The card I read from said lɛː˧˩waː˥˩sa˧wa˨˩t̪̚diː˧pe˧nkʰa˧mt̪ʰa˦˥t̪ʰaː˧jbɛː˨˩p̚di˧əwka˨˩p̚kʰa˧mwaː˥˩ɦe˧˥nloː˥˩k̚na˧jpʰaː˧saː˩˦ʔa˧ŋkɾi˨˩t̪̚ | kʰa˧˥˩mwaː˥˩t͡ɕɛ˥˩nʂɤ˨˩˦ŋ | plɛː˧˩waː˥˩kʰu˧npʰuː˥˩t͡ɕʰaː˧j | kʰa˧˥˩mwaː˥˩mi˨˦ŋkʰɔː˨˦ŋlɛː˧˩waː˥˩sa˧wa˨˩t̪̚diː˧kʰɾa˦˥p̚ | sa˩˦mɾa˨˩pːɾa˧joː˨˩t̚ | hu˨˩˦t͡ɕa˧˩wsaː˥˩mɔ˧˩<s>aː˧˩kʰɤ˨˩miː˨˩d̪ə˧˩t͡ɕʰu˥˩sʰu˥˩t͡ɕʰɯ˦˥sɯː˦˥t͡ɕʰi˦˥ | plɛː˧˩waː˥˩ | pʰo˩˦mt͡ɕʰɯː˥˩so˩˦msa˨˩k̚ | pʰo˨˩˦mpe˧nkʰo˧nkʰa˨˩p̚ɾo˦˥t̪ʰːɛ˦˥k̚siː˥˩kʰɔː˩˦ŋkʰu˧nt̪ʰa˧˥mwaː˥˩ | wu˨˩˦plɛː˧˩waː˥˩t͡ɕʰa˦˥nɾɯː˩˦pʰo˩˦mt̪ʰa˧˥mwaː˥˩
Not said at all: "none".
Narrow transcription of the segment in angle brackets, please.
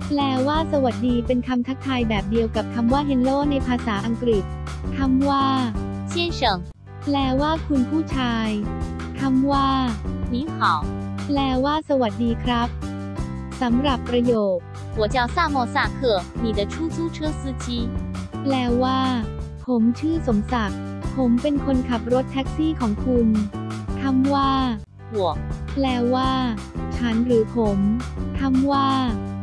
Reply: s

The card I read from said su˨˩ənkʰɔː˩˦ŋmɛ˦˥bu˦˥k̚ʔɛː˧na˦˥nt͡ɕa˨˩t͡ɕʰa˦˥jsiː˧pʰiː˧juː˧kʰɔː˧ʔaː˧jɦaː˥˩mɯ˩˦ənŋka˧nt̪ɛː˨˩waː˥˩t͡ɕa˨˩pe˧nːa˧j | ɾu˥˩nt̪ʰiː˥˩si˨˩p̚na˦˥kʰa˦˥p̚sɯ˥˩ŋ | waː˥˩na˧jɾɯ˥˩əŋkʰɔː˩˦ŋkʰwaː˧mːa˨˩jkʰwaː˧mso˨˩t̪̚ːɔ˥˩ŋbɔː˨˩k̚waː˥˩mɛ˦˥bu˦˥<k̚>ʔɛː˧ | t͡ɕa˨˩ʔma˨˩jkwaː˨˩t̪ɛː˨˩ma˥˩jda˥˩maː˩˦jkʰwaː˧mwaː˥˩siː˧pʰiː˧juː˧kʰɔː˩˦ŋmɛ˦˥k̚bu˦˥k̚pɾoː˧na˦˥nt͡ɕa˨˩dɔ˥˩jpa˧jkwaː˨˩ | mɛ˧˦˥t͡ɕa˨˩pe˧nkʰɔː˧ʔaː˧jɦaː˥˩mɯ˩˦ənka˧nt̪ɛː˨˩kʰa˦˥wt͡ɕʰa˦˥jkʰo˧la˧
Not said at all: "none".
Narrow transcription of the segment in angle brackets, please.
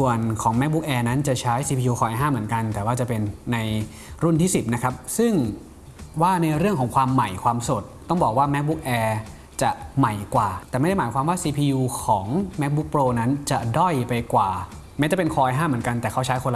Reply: k̚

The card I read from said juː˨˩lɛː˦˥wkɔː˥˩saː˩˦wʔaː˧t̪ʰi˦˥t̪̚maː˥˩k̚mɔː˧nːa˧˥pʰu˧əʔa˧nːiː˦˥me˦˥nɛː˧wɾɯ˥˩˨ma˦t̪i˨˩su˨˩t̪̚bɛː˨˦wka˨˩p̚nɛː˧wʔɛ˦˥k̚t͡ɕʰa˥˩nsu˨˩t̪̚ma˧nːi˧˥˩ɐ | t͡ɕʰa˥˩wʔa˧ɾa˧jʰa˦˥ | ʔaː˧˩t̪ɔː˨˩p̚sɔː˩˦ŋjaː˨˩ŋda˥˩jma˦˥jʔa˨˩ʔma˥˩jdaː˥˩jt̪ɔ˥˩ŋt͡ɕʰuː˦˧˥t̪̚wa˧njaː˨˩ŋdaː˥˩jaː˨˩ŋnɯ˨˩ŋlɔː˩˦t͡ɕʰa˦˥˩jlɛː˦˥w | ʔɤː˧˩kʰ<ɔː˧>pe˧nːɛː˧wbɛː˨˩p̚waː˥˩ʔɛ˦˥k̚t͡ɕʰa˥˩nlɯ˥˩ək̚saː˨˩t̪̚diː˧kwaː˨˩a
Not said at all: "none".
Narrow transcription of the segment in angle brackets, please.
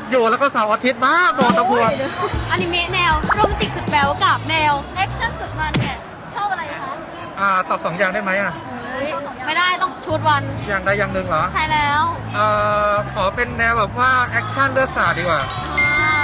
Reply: ɔː˩˦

